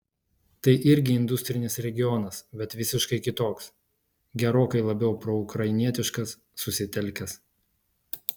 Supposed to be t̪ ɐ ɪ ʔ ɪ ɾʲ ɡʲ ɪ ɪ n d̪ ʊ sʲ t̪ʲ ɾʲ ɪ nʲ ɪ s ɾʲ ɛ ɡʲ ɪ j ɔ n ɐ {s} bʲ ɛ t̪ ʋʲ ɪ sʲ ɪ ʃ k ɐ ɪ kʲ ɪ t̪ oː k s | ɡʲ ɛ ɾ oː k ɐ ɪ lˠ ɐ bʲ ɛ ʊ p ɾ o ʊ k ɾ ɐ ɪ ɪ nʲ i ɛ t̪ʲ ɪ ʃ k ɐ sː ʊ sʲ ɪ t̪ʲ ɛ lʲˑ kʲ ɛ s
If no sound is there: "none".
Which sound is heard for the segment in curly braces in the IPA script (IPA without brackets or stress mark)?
s